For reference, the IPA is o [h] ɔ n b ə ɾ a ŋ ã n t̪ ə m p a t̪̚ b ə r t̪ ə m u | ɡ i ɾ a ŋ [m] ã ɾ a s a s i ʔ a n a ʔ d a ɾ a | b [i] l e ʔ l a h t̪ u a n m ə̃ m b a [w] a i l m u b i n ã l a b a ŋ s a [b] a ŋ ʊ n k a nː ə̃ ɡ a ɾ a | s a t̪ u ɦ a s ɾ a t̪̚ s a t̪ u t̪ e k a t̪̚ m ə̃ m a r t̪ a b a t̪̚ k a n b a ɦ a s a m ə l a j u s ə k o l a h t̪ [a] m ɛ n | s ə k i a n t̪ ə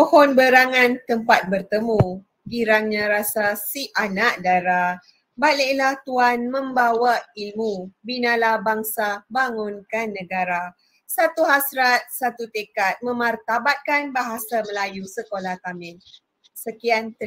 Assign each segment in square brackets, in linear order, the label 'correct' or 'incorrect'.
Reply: correct, incorrect: ɲ, incorrect: a, correct, correct, correct

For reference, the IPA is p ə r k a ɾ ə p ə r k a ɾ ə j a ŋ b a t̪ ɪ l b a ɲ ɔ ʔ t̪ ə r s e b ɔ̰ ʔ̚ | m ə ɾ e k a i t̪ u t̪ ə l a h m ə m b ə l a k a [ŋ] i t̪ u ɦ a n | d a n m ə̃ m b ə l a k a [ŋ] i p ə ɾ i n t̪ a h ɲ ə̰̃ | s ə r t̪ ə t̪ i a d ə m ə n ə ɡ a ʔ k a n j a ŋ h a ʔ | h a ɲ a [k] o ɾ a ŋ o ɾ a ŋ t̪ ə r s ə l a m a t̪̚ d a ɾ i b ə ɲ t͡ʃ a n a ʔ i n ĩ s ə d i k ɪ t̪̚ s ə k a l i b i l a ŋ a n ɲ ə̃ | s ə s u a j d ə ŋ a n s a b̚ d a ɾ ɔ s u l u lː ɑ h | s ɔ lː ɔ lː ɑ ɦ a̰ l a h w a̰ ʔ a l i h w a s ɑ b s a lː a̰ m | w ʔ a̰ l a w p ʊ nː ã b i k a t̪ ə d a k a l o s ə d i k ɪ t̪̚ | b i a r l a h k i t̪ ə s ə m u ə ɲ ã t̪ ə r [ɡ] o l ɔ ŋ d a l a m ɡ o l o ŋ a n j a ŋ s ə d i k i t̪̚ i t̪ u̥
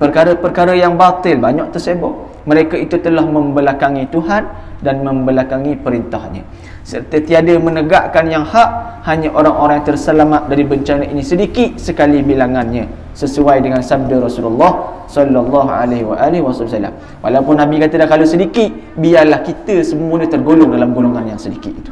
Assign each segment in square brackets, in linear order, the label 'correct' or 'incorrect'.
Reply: correct, correct, incorrect: ʔ, correct

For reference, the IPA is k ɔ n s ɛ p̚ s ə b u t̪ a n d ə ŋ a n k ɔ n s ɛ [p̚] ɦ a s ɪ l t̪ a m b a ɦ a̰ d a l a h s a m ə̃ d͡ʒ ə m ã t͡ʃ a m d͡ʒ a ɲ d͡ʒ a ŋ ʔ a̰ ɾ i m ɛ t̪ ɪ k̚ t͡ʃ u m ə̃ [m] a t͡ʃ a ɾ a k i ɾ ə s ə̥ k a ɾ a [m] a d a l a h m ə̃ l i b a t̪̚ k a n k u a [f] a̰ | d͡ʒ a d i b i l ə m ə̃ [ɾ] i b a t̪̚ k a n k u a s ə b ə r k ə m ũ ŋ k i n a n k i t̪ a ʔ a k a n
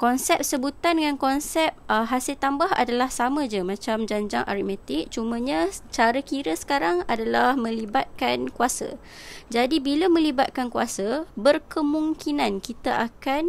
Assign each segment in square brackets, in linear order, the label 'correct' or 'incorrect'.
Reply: correct, incorrect: ɲ, incorrect: ŋ, incorrect: s, incorrect: l

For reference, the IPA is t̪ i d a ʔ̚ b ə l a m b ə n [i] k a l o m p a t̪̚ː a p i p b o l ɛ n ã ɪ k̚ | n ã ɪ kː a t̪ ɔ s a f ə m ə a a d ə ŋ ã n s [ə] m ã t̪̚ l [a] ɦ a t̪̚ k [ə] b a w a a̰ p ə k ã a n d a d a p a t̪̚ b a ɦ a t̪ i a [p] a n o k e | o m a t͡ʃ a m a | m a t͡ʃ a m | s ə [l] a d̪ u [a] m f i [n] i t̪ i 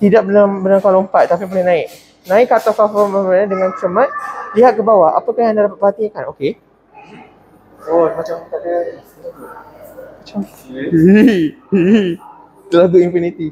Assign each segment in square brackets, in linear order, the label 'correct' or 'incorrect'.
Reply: incorrect: a, correct, incorrect: i, correct, incorrect: k, correct, incorrect: i, correct

